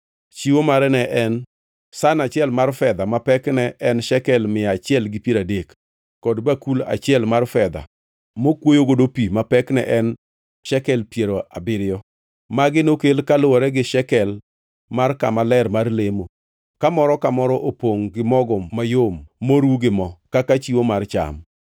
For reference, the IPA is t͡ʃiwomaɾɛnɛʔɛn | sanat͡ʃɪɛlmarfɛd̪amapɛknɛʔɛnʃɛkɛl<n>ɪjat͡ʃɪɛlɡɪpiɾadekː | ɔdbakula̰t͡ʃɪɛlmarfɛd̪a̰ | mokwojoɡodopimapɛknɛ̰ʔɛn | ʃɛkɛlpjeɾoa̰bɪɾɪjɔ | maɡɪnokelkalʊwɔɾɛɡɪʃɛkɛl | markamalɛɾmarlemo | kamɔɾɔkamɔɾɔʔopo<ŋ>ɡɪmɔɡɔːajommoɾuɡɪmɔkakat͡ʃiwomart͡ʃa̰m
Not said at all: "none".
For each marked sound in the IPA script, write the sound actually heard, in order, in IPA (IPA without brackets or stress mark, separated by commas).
m, ŋ